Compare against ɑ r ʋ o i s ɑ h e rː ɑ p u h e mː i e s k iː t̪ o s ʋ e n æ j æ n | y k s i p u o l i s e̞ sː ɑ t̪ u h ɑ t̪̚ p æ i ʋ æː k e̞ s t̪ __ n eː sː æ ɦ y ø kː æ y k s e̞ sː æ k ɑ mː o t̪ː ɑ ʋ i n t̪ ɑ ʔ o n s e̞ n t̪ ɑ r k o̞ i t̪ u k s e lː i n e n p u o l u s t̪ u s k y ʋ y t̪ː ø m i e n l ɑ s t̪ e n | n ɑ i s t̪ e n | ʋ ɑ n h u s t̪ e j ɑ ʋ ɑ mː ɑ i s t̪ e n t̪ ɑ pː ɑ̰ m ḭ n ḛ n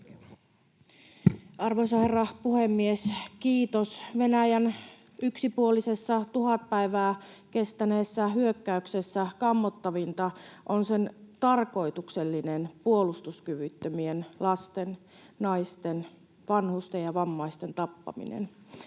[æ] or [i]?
æ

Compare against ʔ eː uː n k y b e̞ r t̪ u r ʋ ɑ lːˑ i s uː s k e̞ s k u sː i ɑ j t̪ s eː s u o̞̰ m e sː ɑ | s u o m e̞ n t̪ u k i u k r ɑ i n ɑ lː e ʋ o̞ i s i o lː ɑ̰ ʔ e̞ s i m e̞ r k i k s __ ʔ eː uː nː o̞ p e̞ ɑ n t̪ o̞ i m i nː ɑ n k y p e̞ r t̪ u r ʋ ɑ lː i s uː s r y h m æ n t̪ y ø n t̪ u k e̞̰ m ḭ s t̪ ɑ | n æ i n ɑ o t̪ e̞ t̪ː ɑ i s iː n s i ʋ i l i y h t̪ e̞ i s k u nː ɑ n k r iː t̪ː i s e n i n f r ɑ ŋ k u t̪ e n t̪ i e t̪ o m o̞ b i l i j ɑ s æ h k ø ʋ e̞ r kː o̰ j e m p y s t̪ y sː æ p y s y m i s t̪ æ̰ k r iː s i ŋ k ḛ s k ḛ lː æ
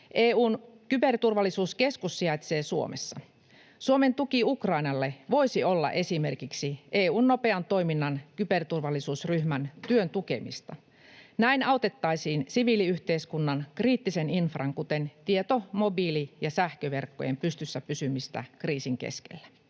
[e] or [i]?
i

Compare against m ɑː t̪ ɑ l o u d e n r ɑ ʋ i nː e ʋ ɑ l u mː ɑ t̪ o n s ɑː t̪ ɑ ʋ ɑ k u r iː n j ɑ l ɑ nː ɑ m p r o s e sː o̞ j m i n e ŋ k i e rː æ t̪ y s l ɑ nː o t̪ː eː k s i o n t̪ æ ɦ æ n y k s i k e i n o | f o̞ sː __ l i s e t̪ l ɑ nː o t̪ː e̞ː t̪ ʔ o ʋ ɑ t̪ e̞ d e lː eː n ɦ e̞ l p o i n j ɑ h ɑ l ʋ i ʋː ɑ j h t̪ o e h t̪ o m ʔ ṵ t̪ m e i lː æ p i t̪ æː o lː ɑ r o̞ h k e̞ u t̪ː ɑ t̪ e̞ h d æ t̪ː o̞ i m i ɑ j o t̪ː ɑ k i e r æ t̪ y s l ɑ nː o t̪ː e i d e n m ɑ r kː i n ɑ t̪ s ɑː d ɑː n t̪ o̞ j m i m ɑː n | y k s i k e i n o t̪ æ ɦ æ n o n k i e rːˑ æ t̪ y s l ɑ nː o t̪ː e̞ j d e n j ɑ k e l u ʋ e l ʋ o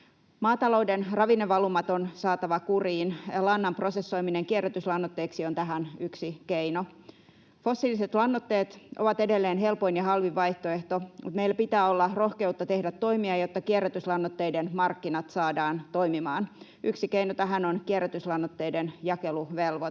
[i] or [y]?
i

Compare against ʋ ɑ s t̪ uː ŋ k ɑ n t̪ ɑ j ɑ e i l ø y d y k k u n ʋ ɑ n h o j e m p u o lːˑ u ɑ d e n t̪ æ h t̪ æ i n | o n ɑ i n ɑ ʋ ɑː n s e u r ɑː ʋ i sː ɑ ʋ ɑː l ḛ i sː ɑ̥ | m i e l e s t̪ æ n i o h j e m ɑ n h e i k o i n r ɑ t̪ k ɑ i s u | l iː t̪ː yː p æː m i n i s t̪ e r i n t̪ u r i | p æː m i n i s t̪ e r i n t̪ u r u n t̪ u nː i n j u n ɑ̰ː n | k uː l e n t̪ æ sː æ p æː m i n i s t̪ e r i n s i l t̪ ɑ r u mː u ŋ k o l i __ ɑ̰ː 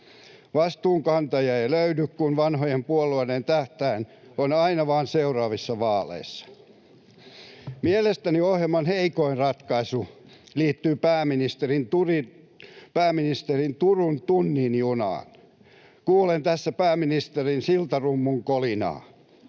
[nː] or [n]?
n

